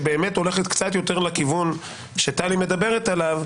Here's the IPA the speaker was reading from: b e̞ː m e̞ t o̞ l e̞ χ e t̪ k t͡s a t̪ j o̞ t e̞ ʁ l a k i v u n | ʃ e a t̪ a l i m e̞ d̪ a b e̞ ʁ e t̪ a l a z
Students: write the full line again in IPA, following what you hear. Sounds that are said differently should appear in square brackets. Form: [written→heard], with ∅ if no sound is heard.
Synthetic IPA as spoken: b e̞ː m e̞ t o̞ l e̞ χ e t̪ k t͡s a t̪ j o̞ t e̞ ʁ l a k i v u n | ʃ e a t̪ a l i m e̞ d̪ a b e̞ ʁ e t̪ a l a [z→v]